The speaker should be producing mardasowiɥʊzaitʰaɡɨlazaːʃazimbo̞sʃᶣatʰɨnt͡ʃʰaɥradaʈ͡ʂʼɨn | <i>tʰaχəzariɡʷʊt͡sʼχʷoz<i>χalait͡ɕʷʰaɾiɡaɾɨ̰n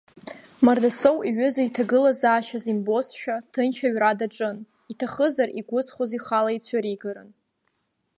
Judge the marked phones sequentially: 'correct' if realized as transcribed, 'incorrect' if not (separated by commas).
correct, correct